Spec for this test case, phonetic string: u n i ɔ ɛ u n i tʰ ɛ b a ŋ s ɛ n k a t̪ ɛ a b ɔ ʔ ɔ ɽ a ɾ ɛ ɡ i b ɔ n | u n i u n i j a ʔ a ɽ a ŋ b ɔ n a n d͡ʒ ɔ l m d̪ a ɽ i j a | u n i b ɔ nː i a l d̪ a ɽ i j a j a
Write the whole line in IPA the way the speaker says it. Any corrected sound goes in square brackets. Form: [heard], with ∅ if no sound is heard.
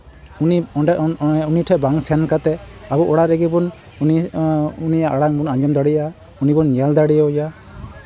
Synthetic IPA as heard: u n i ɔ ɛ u n i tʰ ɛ b a ŋ s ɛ n k a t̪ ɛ a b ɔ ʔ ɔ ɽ a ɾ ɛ ɡ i b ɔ n | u n i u n i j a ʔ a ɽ a ŋ b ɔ n a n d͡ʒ ɔ [∅] m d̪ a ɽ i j a | u n i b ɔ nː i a l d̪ a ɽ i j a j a